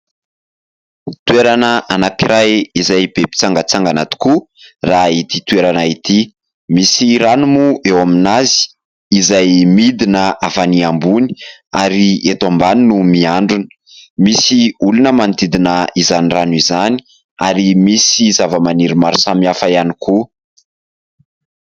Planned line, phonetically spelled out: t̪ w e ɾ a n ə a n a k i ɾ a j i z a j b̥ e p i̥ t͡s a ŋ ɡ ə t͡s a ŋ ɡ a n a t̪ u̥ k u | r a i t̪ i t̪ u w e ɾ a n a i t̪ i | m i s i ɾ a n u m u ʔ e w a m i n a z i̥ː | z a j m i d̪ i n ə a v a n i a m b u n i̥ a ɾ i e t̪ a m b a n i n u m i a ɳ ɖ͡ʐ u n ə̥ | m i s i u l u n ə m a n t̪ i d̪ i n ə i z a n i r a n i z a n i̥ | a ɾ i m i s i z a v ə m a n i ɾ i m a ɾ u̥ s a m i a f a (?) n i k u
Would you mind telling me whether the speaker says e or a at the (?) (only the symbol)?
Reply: a